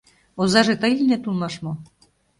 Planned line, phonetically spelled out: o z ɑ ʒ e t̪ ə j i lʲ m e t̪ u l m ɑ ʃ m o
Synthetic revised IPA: o z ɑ ʒ e t̪ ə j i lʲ n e t̪ u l m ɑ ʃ m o